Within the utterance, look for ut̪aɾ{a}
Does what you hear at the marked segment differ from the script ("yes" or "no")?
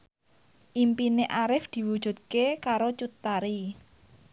yes